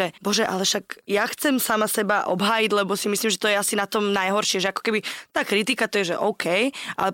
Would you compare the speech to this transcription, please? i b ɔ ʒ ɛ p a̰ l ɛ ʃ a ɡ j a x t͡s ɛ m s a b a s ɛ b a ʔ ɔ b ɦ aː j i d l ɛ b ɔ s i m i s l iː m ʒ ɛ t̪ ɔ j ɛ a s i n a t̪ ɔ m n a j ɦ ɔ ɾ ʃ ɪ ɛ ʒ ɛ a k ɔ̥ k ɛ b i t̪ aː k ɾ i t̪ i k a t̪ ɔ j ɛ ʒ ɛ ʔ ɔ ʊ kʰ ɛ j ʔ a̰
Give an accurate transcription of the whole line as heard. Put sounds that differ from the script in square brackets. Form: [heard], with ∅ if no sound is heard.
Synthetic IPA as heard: [ɛ] b ɔ ʒ ɛ [ʔ] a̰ l ɛ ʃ a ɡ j a x t͡s ɛ m s a [m] a s ɛ b a ʔ ɔ b ɦ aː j i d l ɛ b ɔ s i m i s l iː m ʒ ɛ t̪ ɔ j ɛ a s i n a t̪ ɔ m n a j ɦ ɔ ɾ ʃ ɪ ɛ ʒ ɛ a k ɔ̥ k ɛ b i t̪ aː k ɾ i t̪ i k a t̪ ɔ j ɛ ʒ ɛ ʔ ɔ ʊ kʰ ɛ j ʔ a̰